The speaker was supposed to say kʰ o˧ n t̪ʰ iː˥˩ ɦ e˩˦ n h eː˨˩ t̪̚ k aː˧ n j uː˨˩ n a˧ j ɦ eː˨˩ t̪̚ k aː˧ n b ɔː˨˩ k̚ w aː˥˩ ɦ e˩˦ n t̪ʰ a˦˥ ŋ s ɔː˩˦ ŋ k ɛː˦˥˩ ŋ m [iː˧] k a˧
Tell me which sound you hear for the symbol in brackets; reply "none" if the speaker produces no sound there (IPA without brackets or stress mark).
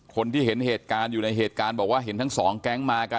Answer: aː˧